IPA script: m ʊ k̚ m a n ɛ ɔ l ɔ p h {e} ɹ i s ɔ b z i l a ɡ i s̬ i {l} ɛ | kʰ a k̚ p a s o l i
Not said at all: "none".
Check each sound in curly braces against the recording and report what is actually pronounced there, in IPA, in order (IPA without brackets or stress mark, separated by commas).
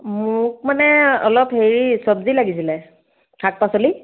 e, l